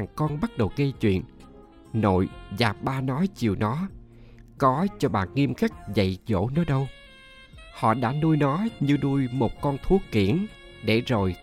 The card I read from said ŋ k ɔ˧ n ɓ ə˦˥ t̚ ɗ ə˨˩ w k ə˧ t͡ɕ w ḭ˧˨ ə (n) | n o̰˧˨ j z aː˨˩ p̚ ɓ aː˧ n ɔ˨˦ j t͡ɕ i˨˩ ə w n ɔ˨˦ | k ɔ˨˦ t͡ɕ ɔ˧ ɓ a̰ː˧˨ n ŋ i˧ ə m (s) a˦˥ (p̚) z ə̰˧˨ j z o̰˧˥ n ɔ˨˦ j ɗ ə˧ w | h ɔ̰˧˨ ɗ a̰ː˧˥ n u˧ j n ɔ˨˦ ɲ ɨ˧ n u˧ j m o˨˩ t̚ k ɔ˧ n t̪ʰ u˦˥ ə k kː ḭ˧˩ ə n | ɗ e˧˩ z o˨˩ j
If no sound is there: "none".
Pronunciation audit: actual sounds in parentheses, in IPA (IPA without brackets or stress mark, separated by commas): n, x, k̚